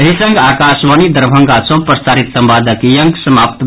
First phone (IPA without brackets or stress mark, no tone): ɦ